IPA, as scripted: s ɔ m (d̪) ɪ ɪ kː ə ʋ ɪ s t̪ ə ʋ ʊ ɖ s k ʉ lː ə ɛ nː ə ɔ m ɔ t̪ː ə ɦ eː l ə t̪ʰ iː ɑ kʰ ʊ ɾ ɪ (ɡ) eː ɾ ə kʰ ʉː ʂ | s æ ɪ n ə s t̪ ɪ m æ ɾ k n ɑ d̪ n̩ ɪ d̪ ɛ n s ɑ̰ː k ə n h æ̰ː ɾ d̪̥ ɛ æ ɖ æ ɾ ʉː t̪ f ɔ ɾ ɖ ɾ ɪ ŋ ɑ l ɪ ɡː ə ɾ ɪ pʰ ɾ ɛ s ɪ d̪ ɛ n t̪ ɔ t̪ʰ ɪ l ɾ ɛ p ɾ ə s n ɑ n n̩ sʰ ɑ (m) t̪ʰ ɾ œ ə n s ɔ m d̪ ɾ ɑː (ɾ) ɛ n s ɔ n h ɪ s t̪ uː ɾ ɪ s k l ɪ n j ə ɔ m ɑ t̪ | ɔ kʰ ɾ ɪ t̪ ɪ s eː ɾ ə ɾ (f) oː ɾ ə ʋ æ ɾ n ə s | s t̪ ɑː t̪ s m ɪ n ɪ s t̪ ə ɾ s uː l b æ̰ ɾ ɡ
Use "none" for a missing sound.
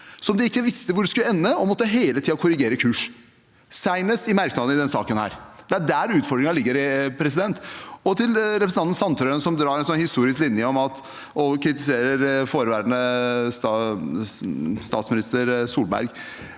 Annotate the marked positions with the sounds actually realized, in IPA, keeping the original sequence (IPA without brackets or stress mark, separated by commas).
d̪, ɡ, n, ɾ, f